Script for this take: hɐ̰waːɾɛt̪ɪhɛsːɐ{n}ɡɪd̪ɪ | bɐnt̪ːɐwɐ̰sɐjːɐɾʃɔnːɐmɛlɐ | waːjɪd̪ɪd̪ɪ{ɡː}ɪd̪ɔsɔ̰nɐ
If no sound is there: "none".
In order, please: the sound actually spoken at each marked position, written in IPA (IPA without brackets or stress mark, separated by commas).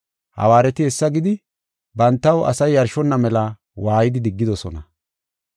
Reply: none, ɡː